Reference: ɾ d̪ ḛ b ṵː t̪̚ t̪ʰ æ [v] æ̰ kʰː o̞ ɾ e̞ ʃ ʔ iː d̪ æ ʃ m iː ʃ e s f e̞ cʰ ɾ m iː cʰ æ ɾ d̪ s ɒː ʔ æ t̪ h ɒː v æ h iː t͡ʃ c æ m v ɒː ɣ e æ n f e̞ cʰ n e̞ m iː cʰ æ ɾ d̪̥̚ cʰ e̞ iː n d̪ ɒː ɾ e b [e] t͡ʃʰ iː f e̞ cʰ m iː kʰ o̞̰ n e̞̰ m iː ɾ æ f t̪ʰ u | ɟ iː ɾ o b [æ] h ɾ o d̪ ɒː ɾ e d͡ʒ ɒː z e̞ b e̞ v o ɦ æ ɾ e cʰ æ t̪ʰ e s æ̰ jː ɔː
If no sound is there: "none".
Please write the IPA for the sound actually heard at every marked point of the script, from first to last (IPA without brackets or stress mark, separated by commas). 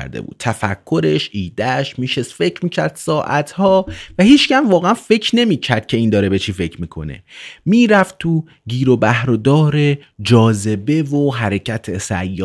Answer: f, e, æ